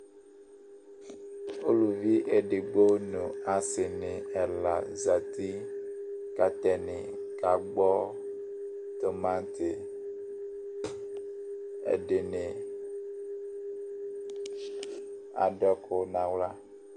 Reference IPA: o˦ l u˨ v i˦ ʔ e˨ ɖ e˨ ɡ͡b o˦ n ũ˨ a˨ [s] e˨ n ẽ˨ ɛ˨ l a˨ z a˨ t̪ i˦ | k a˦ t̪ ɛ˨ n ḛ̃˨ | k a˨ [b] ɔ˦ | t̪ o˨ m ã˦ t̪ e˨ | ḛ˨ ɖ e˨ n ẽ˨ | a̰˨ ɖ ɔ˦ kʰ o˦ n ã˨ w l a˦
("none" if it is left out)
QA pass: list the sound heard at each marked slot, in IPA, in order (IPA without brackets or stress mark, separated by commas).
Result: s, ɡ͡b